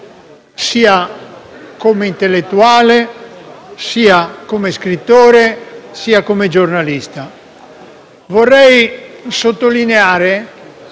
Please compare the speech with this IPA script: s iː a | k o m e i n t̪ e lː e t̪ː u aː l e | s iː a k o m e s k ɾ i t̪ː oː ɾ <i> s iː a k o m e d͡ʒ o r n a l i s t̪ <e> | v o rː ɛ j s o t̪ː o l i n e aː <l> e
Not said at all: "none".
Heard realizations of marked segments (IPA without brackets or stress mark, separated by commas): e, a, ɾ